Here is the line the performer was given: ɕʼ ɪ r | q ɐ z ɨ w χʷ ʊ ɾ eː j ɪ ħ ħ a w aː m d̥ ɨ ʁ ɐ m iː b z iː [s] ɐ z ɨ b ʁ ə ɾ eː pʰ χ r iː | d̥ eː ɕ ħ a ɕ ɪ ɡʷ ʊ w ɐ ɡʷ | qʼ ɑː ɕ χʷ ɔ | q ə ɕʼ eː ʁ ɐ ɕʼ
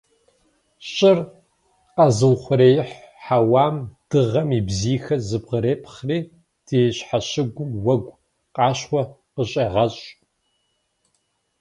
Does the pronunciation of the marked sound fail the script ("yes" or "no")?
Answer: yes